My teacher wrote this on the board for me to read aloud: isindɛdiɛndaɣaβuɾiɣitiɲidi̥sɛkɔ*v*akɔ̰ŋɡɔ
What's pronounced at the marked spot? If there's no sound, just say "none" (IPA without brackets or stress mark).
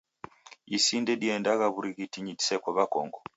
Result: β